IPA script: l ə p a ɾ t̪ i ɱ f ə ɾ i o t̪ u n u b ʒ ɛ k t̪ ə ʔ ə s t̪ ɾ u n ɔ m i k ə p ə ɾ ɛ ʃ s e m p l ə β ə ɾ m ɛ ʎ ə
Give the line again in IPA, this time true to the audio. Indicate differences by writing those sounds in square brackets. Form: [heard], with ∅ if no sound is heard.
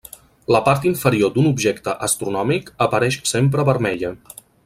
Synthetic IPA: l ə p a ɾ t̪ i ɱ f ə ɾ i o [d̪] u n u b ʒ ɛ k t̪ ə ʔ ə s t̪ ɾ u n ɔ m i k ə p ə ɾ ɛ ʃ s e m p [ɾ] ə β ə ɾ m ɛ ʎ ə